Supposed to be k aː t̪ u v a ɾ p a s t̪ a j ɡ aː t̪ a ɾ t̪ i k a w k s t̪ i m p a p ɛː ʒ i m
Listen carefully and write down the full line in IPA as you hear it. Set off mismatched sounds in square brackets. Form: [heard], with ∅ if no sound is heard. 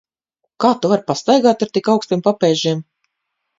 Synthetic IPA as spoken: k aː t̪ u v a ɾ p a s t̪ a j ɡ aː t̪ a ɾ t̪ i k a w k s t̪ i m p a p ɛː ʒ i m